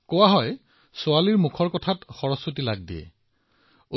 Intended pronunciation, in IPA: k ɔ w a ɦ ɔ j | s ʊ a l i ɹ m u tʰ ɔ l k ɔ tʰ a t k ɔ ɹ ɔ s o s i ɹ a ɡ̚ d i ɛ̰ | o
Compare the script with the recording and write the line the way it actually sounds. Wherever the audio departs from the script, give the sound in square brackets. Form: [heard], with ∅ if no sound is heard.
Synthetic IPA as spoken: k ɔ w a ɦ ɔ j | s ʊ a l i ɹ m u [kʰ] ɔ [ɹ] k ɔ tʰ a t [x] ɔ ɹ ɔ s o [t] i [l] a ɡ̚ d i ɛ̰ | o

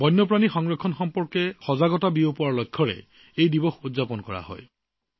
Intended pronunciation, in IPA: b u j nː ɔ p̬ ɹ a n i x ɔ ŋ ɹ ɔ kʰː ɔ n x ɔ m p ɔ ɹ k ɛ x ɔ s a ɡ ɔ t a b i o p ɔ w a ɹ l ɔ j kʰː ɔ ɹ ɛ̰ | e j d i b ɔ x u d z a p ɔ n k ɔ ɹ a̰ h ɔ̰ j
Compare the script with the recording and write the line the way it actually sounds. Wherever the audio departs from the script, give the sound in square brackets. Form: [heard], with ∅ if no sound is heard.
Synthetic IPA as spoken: b [ɔ] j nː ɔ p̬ ɹ a n i x ɔ ŋ ɹ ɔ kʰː ɔ n x ɔ m p ɔ ɹ k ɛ x ɔ [z] a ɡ ɔ t a b i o p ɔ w a ɹ l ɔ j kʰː ɔ ɹ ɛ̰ | e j d i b ɔ x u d z a p ɔ n k ɔ ɹ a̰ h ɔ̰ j

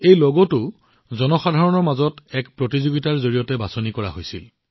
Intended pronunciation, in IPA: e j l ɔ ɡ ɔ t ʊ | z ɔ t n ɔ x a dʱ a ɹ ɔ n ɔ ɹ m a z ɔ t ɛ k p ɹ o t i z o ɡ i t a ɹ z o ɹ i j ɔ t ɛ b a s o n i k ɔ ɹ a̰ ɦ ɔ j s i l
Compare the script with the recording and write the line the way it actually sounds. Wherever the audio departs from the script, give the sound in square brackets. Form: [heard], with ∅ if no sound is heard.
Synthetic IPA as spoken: e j l ɔ ɡ ɔ t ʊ | z ɔ [∅] n ɔ x a dʱ a ɹ ɔ n ɔ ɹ m a z ɔ t ɛ k p ɹ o t i z o ɡ i t a ɹ z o ɹ i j ɔ t ɛ b a s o n i k ɔ ɹ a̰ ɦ [o] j s i l

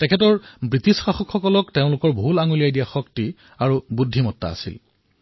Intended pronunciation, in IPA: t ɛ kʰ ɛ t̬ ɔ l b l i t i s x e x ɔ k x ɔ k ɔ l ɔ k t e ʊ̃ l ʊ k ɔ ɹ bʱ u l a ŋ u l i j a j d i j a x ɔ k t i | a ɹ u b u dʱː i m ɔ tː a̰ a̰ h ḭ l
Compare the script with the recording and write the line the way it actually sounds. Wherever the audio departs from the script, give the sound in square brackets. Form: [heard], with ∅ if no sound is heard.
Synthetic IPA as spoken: t ɛ kʰ ɛ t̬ ɔ [ɹ] b [ɹ] i t i s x [a] x ɔ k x ɔ k ɔ l ɔ k t e ʊ̃ l ʊ k ɔ ɹ bʱ u l a ŋ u l i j a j d i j a x ɔ k t i | a ɹ u b u dʱː i m ɔ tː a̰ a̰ [s] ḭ l

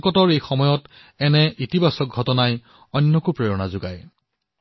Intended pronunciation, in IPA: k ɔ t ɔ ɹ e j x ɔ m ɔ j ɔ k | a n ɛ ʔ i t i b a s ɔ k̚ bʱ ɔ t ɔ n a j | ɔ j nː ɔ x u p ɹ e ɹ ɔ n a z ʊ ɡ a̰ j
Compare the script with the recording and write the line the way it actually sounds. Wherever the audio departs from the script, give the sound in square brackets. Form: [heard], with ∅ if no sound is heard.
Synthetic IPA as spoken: k ɔ t ɔ ɹ e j x ɔ m ɔ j ɔ [t] | [ɛ] n ɛ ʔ i t i b a s ɔ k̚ [ɡʱ] ɔ t ɔ n a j | ɔ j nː ɔ [k] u p ɹ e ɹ ɔ n a z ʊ ɡ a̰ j

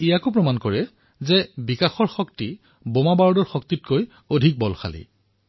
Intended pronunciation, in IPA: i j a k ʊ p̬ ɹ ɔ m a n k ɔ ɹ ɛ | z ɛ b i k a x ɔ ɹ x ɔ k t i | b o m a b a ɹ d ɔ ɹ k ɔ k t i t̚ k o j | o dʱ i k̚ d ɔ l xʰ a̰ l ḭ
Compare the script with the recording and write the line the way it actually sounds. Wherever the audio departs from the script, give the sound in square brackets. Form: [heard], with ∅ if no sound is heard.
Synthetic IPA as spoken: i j a k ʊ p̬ ɹ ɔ m a n k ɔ ɹ ɛ | z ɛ b i k a x ɔ ɹ x ɔ k t i | b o m a b a ɹ d ɔ ɹ [x] ɔ k t i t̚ k o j | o dʱ i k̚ [b] ɔ l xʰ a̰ l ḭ

